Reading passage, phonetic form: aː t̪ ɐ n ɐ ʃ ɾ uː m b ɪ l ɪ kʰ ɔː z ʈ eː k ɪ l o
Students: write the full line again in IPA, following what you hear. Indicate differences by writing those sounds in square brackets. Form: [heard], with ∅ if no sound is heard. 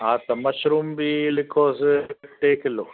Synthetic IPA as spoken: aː t̪ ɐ [m] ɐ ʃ ɾ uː m b [i] l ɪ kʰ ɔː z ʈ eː k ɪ l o